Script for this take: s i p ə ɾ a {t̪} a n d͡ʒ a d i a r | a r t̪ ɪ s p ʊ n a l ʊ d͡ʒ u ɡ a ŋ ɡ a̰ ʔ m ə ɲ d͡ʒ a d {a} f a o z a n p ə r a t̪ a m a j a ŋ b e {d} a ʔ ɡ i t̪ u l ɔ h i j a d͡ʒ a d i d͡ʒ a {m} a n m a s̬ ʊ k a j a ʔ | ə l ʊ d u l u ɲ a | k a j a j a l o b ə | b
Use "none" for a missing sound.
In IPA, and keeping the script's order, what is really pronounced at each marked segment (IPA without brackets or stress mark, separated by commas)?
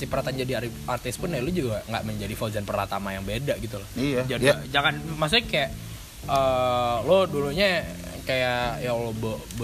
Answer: t̪, i, d, ŋ